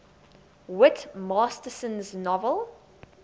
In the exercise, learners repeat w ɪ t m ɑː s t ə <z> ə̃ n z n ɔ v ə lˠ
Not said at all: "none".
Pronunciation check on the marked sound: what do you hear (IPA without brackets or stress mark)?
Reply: s